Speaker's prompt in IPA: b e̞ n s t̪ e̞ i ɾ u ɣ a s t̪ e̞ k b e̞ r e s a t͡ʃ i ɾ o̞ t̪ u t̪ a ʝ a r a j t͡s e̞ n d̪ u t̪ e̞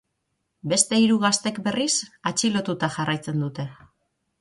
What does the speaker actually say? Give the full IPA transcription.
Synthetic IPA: b e̞ s t̪ e̞ i ɾ u ɣ a s t̪ e̞ k b e̞ r i s a t͡ʃ i l o̞ t̪ u t̪ a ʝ a r a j t͡s e̞ n d̪ u t̪ e̞